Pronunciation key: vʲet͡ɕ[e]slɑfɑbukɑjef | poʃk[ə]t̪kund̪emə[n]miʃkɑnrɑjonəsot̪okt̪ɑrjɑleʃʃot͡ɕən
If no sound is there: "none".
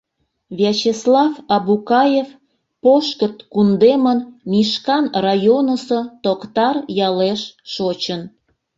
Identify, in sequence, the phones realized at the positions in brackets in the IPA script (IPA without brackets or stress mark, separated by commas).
e, ə, n